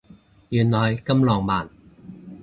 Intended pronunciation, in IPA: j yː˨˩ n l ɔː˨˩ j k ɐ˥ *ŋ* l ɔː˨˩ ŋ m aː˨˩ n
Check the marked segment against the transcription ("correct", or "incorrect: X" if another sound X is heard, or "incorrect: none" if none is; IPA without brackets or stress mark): incorrect: m